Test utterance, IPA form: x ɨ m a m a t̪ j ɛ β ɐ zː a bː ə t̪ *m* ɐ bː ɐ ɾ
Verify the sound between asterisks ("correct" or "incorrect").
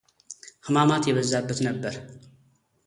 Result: incorrect